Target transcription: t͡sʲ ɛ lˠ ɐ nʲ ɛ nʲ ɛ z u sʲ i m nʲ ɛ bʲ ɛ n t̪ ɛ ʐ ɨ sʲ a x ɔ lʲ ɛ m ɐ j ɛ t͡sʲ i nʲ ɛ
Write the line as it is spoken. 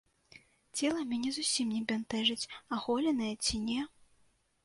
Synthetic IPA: t͡sʲ ɛ lˠ ɐ mʲ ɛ nʲ ɛ z u sʲ i m nʲ ɛ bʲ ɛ n t̪ ɛ ʐ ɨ t͡sʲ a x ɔ lʲ ɛ n ɐ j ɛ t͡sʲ i nʲ ɛ

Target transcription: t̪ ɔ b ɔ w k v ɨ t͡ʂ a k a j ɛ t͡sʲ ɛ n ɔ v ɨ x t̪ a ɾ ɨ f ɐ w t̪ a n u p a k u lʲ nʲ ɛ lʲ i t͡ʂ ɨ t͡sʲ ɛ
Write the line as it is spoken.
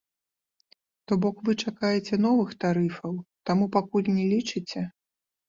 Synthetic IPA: t̪ ɔ b ɔ k v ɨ t͡ʂ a k a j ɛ t͡sʲ ɛ n ɔ v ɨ x t̪ a ɾ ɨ f ɐ w t̪ a m u p a k u lʲ nʲ ɛ lʲ i t͡ʂ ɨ t͡sʲ ɛ

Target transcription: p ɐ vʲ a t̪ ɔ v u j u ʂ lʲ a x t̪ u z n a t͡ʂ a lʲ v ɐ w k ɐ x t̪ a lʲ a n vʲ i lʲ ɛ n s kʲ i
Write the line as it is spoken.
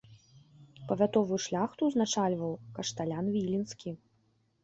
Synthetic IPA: p ɐ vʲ a t̪ ɔ v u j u ʂ lʲ a x t̪ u z n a t͡ʂ a lʲ v ɐ w k ɐ ʂ t̪ a lʲ a n vʲ i lʲ i n s kʲ i

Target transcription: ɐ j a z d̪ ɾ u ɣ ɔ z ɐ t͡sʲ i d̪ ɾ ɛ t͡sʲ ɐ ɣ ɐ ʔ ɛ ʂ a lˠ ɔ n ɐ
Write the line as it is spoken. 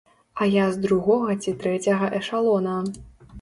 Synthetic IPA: ɐ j a z d̪ ɾ u ɣ ɔ ɣ ɐ t͡sʲ i t̪ ɾ ɛ t͡sʲ ɐ ɣ ɐ ʔ ɛ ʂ a lˠ ɔ n ɐ

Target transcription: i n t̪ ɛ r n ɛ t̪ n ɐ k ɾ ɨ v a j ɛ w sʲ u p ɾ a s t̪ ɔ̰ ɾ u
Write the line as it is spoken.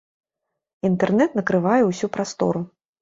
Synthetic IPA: i n t̪ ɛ r n ɛ t̪ n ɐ k ɾ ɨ v a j ɛ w sʲ u p ɾ a s t̪ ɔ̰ ɾ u

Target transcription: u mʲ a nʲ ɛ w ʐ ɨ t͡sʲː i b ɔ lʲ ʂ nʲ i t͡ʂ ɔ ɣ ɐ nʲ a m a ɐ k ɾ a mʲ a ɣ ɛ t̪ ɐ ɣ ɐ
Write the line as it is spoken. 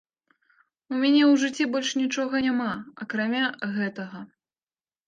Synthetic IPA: u mʲ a nʲ ɛ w ʐ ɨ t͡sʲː i b ɔ lʲ ʂ nʲ i t͡ʂ ɔ ɣ ɐ nʲ a m a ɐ k ɾ a mʲ a ɣ ɛ t̪ ɐ ɣ ɐ

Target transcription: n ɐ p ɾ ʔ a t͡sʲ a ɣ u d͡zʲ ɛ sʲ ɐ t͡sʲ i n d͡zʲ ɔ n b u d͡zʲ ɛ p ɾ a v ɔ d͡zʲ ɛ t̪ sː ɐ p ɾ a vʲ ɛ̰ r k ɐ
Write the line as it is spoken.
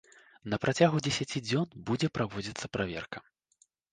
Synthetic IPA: n ɐ p ɾ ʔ a t͡sʲ a ɣ u d͡zʲ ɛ sʲ a t͡sʲ i d͡zʲ ɔ n b u d͡zʲ ɛ p ɾ a v ɔ d͡zʲ i t̪ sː ɐ p ɾ a vʲ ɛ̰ r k ɐ

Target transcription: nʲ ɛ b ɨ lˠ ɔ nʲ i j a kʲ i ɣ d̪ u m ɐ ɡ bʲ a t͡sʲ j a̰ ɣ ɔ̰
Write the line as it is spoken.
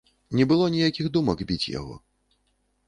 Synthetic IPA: nʲ ɛ b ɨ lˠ ɔ nʲ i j a kʲ i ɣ d̪ u m ɐ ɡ bʲ i t͡sʲ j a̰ ɣ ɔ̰

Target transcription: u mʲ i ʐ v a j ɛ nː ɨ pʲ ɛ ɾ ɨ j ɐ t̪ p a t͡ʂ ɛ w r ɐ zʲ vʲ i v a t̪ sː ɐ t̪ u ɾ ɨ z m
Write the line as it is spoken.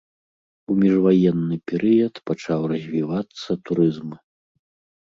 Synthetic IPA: u mʲ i ʐ v a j ɛ nː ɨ pʲ ɛ ɾ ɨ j ɐ t̪ p a t͡ʂ a w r ɐ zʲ vʲ i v a t̪ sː ɐ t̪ u ɾ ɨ z m

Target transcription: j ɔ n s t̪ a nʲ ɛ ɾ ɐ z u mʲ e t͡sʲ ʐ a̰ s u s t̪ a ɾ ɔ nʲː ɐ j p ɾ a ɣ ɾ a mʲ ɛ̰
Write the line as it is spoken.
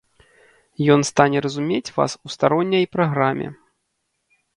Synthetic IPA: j ɔ n s t̪ a nʲ ɛ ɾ ɐ z u mʲ e t͡sʲ v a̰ s u s t̪ a ɾ ɔ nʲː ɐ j p ɾ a ɣ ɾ a mʲ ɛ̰

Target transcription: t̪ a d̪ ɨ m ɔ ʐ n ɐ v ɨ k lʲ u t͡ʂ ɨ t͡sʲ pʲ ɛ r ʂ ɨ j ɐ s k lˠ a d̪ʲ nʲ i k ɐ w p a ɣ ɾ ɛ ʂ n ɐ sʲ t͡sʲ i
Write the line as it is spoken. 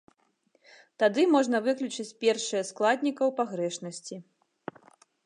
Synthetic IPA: t̪ a d̪ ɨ m ɔ ʐ n ɐ v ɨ k lʲ u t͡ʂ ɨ t͡sʲ pʲ ɛ r ʂ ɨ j ɐ s k lˠ a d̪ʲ nʲ i k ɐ w p a ɣ ɾ ɛ ʂ n ɐ sʲ t͡sʲ i

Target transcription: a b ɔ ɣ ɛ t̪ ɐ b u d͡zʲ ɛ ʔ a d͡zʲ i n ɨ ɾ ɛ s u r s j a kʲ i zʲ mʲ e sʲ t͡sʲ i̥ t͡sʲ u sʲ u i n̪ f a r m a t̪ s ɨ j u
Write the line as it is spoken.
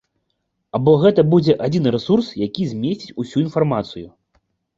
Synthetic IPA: a b ɔ ɣ ɛ t̪ ɐ b u d͡zʲ ɛ ʔ a d͡zʲ i n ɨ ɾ ɛ s u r s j a kʲ i zʲ mʲ e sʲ t͡sʲ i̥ t͡sʲ u sʲ u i n̪ f a r m a t̪ s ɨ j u

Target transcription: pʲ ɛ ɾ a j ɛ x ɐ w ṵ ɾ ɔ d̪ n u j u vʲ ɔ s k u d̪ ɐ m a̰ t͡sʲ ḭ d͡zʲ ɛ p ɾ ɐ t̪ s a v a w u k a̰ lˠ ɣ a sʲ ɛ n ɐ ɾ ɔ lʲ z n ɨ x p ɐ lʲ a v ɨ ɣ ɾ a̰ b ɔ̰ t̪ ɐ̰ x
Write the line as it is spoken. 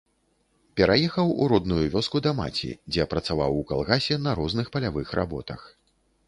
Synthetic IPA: pʲ ɛ ɾ a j ɛ x ɐ w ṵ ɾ ɔ d̪ n u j u vʲ ɔ s k u d̪ ɐ m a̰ t͡sʲ ḭ d͡zʲ ɛ p ɾ ɐ t̪ s a v a w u k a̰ lˠ ɣ a sʲ ɛ n ɐ ɾ ɔ z n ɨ x p ɐ lʲ a v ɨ x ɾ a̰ b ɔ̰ t̪ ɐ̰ x

